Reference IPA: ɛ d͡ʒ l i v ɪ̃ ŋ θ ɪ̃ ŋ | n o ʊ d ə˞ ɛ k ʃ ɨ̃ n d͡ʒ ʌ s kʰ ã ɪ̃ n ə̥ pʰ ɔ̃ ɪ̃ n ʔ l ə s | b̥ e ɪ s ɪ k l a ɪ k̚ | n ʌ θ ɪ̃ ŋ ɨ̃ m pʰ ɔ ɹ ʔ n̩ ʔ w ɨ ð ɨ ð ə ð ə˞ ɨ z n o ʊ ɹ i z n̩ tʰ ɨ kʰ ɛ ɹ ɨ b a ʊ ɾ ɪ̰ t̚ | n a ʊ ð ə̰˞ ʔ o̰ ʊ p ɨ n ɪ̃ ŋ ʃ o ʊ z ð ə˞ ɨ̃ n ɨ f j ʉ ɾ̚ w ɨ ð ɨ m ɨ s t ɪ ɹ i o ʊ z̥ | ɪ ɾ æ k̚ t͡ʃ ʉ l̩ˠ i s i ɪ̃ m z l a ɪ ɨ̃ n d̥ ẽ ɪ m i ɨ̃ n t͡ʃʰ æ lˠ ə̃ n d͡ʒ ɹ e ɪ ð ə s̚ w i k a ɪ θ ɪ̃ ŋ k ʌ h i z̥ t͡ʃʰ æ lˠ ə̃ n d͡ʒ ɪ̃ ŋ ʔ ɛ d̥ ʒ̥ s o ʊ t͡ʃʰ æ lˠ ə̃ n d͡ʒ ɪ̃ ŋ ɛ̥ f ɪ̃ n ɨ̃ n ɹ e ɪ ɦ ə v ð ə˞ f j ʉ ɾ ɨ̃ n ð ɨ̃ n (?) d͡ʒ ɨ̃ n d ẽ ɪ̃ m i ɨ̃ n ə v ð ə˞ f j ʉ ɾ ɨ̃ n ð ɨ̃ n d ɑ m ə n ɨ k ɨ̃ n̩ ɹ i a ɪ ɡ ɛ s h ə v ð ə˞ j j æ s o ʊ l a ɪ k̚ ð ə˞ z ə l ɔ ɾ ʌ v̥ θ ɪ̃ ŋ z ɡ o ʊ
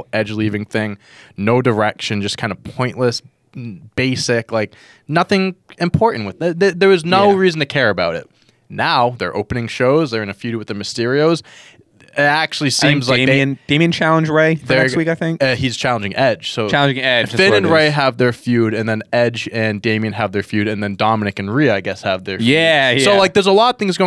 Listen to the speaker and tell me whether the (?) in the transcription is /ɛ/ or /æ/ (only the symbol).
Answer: ɛ